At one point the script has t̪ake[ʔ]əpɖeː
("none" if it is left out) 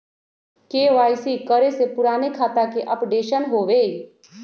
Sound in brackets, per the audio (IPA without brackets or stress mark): ʔ